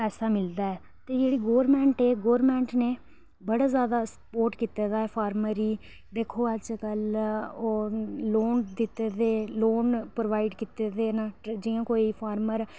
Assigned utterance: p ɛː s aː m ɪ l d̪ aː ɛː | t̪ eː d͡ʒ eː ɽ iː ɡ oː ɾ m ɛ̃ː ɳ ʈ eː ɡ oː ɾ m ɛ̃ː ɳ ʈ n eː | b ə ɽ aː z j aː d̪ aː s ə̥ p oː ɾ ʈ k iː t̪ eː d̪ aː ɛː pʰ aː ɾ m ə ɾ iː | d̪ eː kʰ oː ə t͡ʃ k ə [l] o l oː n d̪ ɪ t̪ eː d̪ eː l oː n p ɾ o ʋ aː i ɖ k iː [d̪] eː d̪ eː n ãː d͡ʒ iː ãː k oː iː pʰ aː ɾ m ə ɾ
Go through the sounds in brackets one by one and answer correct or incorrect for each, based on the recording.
correct, incorrect

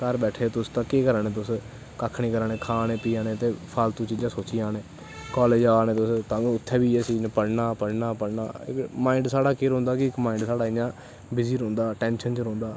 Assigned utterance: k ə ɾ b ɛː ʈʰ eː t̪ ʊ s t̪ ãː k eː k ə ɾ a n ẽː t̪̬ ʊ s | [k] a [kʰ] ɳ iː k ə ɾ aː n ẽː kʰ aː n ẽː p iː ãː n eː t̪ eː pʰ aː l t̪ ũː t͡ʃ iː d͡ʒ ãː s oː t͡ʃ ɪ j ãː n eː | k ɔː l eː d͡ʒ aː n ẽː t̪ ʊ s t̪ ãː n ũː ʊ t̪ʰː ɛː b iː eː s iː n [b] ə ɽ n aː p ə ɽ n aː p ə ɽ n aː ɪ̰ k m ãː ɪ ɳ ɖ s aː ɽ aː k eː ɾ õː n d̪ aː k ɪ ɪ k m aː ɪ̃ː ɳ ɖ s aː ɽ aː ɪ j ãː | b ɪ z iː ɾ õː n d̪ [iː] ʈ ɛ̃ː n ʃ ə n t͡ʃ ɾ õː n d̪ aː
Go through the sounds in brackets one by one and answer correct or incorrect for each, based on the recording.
correct, correct, incorrect, incorrect

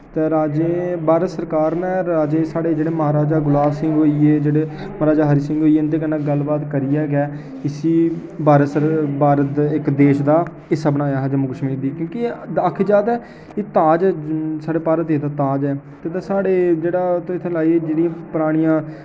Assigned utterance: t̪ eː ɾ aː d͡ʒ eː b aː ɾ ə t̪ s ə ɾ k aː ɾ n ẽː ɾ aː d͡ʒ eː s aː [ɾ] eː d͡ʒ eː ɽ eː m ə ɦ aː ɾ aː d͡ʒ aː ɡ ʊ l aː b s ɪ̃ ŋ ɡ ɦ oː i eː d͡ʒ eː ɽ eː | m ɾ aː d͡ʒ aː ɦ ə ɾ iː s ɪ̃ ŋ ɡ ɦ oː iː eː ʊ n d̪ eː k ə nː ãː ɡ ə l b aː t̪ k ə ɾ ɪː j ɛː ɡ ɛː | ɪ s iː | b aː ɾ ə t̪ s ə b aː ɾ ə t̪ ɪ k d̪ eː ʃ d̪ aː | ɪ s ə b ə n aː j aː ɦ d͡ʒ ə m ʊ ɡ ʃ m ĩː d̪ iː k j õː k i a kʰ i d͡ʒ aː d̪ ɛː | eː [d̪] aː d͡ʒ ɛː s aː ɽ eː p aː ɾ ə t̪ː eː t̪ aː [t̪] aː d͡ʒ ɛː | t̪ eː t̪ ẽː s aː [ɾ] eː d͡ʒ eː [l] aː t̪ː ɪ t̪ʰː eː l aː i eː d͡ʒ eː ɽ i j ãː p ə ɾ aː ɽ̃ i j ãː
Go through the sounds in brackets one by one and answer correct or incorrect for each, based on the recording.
incorrect, incorrect, correct, incorrect, incorrect

